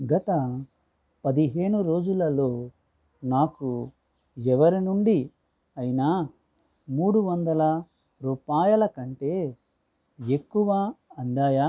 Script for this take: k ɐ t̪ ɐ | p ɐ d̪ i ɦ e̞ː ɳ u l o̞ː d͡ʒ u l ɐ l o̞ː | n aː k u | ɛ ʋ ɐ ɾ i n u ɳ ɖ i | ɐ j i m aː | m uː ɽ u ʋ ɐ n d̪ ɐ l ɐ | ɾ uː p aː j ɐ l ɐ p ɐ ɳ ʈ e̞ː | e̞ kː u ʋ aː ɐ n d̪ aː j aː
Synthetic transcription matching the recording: ɡ ɐ t̪ ɐ | p ɐ d̪ i ɦ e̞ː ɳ u ɾ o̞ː d͡ʒ u l ɐ l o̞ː | n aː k u | ɛ ʋ ɐ ɾ i n u ɳ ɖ i | ɐ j i n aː | m uː ɽ u ʋ ɐ n d̪ ɐ l ɐ | ɾ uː p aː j ɐ l ɐ k ɐ ɳ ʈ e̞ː | e̞ kː u ʋ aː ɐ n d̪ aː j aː